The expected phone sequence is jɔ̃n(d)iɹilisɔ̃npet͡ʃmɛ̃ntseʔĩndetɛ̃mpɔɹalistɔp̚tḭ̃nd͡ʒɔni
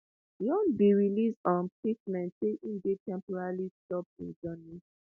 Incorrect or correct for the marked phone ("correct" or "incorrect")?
incorrect